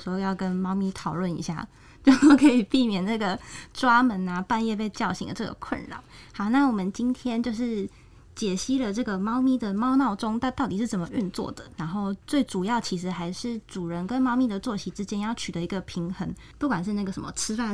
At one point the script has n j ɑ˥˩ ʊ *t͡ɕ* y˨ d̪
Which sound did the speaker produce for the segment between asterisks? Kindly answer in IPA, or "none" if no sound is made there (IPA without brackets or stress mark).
t͡ɕʰ